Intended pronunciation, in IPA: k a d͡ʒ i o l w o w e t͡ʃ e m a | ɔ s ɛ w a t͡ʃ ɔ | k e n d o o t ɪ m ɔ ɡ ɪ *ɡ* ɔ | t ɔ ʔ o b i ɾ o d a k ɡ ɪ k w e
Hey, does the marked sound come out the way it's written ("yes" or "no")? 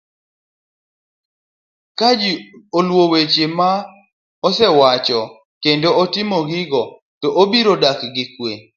yes